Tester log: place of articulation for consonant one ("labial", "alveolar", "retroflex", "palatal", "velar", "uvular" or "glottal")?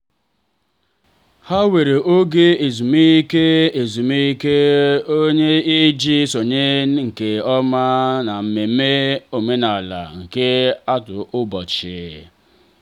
glottal